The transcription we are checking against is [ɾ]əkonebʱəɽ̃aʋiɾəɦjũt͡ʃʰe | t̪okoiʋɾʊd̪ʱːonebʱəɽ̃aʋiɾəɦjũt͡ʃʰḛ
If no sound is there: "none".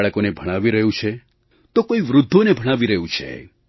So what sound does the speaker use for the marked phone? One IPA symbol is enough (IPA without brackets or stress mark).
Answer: ɭ